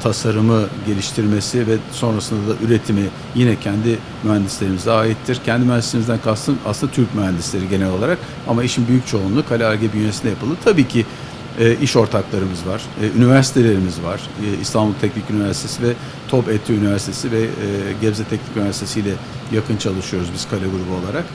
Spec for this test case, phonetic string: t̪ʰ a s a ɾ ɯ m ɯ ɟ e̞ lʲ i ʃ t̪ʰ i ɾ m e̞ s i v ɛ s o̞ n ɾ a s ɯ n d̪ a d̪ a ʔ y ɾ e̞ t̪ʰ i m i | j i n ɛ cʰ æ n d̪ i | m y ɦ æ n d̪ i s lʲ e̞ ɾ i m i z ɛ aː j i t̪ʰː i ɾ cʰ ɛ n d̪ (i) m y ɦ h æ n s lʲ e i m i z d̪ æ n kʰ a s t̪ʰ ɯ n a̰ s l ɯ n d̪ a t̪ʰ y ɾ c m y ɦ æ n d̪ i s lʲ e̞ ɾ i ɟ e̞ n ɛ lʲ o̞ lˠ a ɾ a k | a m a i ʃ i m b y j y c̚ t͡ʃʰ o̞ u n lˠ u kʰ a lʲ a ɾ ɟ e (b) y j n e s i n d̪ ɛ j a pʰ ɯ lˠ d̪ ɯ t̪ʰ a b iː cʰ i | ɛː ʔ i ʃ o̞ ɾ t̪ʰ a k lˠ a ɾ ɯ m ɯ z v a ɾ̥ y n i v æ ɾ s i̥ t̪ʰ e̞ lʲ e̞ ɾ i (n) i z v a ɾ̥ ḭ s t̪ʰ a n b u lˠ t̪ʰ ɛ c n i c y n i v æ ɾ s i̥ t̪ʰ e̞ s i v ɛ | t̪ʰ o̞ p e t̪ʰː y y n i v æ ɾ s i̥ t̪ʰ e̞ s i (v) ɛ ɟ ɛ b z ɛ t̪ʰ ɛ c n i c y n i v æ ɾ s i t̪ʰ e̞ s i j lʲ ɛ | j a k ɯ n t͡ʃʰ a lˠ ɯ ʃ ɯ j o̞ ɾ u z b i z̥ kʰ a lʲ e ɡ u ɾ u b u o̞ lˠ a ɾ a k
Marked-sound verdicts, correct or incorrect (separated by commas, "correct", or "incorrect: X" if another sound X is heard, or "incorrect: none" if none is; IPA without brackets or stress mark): correct, correct, incorrect: m, correct